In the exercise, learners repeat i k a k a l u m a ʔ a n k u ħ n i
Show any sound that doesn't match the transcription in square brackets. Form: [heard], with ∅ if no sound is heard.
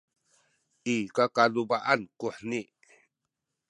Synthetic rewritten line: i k a k a l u [b] a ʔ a n k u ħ n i